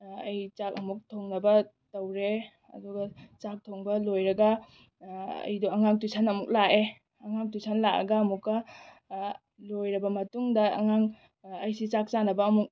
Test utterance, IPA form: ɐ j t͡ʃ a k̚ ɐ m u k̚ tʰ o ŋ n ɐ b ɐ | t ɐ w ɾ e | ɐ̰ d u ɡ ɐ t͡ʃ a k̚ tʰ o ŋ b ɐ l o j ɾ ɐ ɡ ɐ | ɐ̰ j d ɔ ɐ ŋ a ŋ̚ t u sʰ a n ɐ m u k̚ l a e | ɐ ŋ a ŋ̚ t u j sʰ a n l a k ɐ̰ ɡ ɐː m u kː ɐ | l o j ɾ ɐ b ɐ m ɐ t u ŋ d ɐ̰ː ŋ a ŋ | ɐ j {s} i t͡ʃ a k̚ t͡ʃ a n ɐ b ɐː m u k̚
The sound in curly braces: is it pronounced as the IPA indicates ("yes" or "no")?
yes